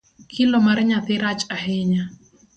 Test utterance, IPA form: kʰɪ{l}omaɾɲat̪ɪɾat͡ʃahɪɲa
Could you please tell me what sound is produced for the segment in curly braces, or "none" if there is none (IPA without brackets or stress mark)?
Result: l